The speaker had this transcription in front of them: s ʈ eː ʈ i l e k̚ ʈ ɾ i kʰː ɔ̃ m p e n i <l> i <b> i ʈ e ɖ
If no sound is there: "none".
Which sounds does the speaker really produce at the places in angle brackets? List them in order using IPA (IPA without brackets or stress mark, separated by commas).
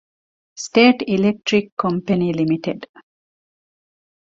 l, m